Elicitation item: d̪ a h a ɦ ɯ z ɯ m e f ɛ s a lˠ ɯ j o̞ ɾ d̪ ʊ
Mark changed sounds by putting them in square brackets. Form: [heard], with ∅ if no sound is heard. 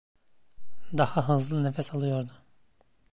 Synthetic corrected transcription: d̪ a h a ɦ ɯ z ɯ [n] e f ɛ s a lˠ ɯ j o̞ ɾ d̪ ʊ